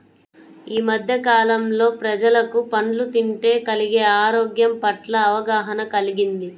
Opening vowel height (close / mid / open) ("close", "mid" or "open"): close